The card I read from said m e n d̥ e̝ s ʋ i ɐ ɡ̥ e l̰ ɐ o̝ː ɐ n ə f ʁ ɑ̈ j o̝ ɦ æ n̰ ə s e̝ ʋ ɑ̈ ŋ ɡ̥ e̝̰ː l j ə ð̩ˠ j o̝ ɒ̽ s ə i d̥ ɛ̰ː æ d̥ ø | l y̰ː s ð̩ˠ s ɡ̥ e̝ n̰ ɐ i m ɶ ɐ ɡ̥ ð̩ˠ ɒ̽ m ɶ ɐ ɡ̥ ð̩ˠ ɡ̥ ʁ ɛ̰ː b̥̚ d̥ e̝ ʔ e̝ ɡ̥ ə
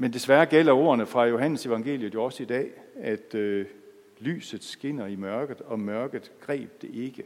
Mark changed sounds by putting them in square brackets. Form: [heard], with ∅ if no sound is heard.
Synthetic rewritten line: m e n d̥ e̝ s ʋ [æ] ɐ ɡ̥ e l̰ ɐ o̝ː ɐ n ə f ʁ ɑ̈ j o̝ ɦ æ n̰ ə s e̝ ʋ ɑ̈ ŋ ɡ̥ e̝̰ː l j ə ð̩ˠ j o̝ ɒ̽ s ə i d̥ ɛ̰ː æ d̥ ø | l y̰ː s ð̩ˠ s ɡ̥ e̝ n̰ ɐ i m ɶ ɐ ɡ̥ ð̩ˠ ɒ̽ m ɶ ɐ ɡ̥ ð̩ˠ ɡ̥ ʁ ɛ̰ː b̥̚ d̥ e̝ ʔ e̝ ɡ̥ ə